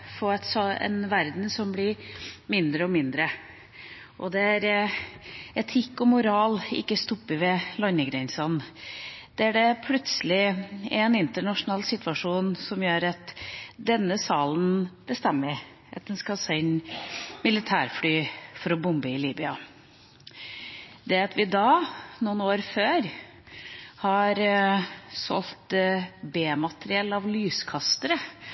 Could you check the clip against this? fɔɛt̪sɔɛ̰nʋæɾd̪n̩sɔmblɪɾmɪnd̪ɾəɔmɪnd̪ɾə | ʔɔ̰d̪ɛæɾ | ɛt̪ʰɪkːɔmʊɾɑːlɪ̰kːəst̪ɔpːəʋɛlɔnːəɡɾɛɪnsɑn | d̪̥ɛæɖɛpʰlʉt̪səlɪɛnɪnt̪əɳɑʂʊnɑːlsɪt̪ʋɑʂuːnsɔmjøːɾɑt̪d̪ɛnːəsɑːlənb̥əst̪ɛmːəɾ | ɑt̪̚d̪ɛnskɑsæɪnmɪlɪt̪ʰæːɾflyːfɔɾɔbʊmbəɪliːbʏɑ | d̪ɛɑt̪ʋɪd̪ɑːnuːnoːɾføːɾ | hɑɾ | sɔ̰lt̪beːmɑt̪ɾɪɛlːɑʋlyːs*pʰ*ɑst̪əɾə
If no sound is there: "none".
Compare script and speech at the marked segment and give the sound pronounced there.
kʰ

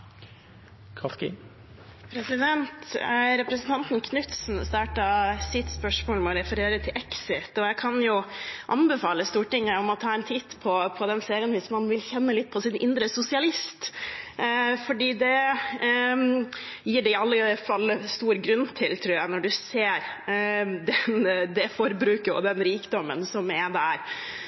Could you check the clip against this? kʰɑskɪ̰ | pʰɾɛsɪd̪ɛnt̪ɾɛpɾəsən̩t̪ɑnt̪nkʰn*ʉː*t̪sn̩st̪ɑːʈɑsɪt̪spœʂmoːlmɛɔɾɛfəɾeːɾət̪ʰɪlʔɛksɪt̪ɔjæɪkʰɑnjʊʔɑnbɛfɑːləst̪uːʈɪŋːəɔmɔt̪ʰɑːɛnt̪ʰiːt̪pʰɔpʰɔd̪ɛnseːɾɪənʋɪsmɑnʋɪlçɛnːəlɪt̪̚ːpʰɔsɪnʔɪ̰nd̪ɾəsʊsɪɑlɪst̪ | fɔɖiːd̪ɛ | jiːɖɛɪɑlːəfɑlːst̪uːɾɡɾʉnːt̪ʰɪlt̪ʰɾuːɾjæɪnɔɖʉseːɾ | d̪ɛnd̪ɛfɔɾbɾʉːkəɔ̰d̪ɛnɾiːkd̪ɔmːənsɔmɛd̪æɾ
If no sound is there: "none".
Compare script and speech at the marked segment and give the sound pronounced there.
ʉ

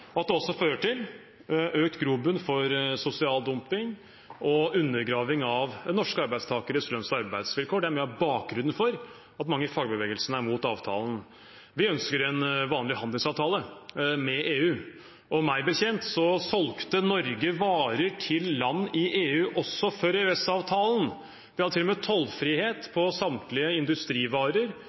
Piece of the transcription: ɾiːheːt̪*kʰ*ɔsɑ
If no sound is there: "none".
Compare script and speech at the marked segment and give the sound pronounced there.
pʰ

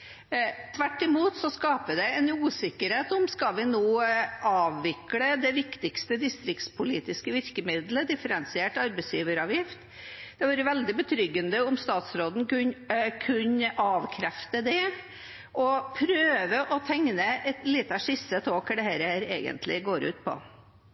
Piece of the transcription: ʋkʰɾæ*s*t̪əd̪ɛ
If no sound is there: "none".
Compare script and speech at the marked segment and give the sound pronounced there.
f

